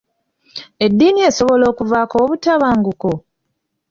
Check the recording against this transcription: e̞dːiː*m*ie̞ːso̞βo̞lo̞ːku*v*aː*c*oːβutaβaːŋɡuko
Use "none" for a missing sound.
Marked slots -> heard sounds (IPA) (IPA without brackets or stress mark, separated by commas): n, v, k